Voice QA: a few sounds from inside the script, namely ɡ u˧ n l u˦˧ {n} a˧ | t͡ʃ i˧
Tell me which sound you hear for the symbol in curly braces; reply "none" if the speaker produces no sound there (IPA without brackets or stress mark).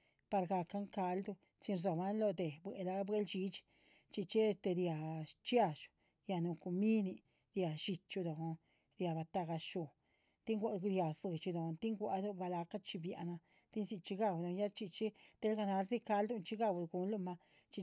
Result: m